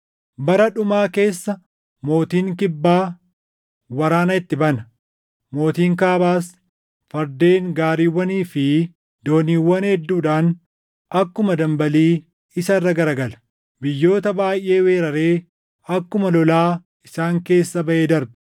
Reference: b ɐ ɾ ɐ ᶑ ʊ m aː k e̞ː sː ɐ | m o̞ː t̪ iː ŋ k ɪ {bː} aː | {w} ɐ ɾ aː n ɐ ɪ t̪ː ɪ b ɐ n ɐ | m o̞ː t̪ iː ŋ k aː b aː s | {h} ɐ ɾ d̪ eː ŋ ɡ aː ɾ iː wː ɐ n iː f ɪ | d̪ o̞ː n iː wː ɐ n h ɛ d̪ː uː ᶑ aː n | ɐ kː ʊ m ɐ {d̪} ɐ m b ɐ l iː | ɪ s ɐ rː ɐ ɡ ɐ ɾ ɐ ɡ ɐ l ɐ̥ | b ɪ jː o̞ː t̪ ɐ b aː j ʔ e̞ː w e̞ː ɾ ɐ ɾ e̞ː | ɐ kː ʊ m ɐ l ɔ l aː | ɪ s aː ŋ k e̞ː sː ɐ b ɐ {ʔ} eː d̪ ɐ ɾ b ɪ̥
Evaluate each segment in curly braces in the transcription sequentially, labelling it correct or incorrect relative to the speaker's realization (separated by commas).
correct, correct, incorrect, correct, correct